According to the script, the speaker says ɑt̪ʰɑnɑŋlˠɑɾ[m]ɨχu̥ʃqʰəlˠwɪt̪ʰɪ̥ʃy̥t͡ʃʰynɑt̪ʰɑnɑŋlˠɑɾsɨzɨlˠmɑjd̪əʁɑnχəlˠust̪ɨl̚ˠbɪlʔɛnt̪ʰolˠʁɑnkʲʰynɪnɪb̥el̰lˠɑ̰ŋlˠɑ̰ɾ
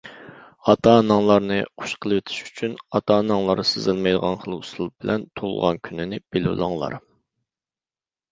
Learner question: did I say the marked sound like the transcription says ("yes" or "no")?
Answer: no